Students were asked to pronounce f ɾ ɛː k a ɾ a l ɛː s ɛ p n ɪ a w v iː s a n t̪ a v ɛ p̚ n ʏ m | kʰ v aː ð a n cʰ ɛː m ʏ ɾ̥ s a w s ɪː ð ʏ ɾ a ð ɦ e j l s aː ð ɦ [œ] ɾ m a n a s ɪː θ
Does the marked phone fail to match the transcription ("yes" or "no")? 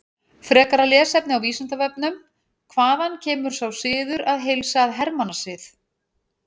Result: yes